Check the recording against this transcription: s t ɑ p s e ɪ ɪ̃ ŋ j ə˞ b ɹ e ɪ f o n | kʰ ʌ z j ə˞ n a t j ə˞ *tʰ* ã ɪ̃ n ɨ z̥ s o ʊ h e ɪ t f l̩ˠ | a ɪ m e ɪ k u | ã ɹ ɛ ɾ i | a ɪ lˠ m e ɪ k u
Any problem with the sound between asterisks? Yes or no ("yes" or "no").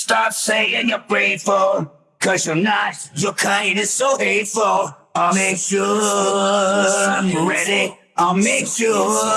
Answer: yes